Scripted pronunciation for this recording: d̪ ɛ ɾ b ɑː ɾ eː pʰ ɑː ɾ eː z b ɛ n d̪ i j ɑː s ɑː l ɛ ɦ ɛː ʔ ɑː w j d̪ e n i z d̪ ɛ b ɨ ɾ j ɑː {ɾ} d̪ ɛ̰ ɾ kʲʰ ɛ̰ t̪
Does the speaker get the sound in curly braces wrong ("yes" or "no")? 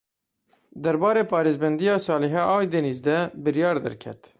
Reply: no